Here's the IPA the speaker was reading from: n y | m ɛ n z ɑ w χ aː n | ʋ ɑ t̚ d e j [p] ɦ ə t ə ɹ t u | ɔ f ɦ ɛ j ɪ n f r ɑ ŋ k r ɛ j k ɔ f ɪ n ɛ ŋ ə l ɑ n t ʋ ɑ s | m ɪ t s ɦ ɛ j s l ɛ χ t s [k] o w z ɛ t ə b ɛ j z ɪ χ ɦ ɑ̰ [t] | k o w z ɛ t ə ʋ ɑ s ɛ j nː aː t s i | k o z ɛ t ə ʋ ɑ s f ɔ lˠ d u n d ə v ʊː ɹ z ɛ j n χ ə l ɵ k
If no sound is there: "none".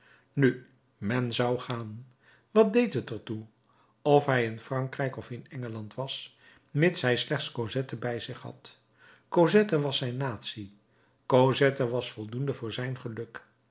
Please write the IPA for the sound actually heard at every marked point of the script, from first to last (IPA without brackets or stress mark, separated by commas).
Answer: t, k, t